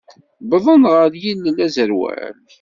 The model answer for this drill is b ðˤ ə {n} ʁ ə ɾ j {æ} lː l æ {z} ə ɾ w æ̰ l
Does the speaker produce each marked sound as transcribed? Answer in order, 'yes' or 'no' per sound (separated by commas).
yes, no, yes